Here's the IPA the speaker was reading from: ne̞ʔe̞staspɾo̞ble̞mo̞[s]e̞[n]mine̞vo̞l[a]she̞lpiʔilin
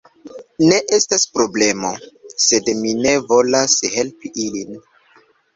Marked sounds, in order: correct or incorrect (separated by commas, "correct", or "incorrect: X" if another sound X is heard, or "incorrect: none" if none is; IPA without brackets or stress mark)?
correct, incorrect: d, correct